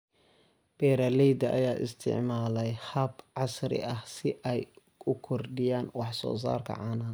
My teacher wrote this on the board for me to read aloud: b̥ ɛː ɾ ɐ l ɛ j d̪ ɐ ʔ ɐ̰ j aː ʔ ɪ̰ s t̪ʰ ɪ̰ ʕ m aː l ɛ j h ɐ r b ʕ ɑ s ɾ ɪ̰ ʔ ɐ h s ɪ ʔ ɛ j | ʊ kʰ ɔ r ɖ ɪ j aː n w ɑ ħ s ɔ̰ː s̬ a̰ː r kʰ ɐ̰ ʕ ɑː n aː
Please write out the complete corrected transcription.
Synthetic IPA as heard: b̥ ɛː ɾ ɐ l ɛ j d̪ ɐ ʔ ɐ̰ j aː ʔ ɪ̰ s t̪ʰ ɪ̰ ʕ m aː l ɛ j h ɐ b ʕ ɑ s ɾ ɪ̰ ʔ ɐ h s ɪ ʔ ɛ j | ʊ kʰ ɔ r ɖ ɪ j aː n w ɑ ħ s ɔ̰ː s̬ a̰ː r kʰ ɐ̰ ʕ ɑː n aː